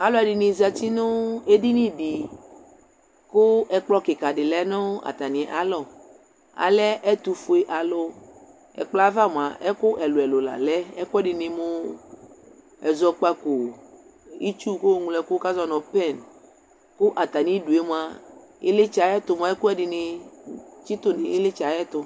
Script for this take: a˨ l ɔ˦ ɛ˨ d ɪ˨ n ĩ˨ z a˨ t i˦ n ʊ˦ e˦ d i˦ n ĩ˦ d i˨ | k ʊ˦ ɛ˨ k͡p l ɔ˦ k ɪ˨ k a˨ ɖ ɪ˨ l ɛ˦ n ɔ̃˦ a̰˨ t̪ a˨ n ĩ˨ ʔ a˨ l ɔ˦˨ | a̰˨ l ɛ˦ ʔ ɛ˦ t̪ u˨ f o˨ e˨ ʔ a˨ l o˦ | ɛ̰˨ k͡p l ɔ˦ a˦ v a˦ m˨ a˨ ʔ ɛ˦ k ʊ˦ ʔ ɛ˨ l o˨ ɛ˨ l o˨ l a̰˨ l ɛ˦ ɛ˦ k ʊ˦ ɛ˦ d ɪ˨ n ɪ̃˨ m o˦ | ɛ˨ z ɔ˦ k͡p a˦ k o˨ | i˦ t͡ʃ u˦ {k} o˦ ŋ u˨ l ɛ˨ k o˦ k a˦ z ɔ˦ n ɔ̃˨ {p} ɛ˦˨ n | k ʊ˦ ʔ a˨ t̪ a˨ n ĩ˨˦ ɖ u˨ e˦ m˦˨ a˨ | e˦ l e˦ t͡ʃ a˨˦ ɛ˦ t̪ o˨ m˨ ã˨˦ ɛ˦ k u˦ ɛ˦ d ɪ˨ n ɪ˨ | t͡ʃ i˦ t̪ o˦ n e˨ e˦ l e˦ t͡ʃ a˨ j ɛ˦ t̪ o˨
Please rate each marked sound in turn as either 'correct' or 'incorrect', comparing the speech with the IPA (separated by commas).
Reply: correct, correct